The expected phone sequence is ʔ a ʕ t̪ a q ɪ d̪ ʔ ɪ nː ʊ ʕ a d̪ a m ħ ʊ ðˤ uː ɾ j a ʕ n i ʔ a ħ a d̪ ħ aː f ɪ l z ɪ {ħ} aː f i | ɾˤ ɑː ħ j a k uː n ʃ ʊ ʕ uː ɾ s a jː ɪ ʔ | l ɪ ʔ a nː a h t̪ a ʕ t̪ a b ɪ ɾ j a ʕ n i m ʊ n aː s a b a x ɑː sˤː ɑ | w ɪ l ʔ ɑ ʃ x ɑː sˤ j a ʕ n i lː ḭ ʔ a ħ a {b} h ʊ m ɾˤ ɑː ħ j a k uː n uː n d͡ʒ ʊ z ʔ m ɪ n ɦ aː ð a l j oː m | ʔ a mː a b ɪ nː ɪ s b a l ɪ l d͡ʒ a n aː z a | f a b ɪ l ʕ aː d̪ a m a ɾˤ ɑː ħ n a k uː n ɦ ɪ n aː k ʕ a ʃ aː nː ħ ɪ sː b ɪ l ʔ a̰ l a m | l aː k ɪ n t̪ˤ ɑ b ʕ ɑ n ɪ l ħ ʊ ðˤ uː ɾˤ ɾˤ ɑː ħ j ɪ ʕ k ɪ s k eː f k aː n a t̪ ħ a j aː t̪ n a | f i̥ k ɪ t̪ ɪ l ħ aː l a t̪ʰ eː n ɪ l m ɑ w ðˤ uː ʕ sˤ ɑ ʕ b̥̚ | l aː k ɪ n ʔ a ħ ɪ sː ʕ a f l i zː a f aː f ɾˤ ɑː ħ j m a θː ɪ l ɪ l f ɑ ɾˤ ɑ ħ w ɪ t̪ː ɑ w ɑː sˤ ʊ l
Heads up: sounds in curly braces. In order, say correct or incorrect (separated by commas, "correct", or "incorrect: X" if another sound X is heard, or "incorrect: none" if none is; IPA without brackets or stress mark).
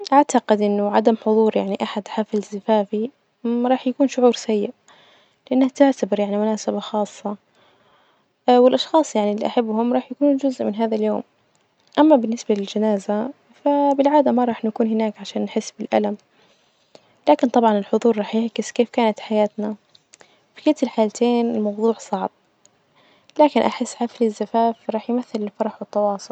incorrect: f, incorrect: bː